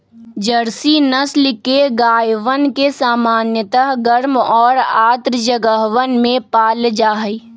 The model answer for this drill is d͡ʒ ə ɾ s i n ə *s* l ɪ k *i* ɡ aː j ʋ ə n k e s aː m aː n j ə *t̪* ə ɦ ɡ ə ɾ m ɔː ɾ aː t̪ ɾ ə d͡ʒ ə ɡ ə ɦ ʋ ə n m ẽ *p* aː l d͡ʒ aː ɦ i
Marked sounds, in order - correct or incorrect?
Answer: correct, incorrect, correct, correct

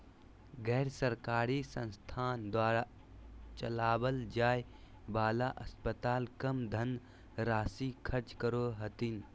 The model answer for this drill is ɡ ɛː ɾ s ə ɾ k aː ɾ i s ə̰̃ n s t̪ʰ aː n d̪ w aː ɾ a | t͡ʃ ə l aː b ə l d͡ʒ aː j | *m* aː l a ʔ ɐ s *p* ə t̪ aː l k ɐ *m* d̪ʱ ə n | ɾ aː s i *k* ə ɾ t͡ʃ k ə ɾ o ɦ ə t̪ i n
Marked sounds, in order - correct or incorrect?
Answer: incorrect, correct, correct, incorrect

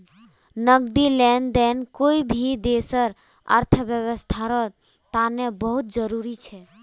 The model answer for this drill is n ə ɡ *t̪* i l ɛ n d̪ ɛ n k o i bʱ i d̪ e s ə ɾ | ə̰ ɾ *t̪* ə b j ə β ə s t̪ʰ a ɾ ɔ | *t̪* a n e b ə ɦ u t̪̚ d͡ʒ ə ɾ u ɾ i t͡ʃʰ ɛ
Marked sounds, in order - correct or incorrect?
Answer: incorrect, incorrect, correct

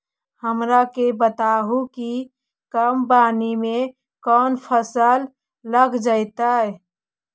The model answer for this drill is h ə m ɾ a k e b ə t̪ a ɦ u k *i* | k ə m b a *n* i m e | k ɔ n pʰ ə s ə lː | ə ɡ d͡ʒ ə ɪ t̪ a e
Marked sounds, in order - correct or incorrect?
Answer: correct, correct

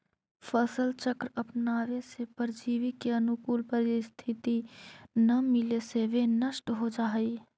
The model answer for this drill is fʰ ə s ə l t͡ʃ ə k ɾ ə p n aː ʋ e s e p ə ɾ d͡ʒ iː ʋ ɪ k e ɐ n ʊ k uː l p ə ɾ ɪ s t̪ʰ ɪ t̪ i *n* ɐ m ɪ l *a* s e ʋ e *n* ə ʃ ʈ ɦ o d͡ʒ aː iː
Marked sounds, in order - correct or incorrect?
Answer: correct, incorrect, correct

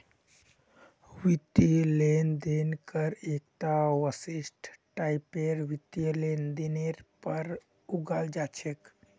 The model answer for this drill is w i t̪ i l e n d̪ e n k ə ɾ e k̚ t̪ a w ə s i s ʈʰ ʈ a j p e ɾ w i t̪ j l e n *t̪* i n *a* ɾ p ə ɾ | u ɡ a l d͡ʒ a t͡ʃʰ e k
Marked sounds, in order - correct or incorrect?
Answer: incorrect, incorrect

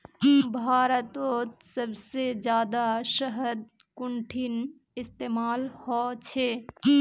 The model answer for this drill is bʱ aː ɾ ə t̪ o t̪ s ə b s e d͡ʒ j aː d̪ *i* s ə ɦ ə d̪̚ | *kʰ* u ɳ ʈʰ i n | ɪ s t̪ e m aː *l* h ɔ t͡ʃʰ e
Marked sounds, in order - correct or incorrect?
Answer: incorrect, incorrect, correct

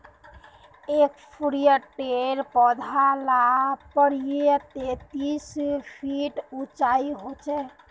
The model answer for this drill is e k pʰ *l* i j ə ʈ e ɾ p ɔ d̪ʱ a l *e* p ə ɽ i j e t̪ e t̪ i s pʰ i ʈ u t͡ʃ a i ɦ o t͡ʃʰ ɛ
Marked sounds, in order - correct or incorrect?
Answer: incorrect, incorrect

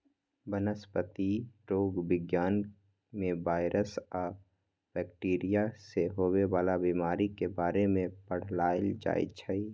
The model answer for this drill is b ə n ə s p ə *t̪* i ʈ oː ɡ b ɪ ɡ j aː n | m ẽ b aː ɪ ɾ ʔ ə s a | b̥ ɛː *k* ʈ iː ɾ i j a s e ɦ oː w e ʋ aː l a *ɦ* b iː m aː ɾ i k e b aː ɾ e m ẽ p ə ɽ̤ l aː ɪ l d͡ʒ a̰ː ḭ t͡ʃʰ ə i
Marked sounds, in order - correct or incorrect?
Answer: correct, correct, incorrect

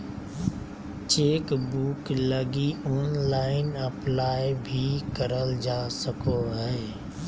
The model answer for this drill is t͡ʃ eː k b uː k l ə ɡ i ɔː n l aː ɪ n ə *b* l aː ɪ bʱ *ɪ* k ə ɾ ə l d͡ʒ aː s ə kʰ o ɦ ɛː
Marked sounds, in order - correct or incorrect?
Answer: incorrect, incorrect

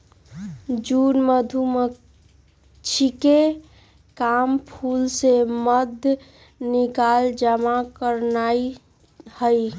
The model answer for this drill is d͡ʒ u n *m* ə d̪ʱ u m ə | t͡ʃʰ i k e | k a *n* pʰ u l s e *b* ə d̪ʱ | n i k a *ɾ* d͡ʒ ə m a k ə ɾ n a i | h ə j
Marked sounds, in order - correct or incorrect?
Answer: correct, incorrect, incorrect, incorrect

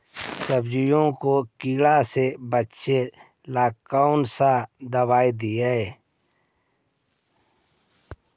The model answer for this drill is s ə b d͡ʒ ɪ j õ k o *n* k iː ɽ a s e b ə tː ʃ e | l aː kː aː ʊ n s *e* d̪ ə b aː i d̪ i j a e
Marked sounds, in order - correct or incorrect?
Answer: incorrect, incorrect

